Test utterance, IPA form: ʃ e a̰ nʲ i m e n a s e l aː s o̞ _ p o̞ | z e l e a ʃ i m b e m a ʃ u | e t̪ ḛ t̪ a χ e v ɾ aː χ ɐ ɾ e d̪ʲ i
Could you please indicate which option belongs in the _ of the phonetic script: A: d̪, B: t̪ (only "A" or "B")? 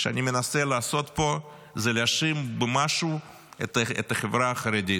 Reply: B